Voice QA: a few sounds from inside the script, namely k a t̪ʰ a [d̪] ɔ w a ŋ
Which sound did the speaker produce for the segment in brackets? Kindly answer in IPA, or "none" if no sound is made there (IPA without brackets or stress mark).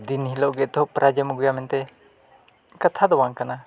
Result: d̪